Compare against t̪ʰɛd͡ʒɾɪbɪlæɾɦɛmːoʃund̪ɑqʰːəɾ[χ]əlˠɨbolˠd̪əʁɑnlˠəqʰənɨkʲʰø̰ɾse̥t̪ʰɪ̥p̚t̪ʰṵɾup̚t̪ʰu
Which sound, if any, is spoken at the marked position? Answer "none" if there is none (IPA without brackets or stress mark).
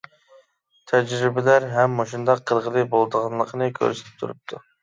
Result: ʁ